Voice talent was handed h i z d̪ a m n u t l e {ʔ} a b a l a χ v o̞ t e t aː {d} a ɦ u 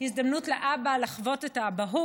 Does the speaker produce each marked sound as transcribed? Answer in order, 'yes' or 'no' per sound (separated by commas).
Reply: yes, no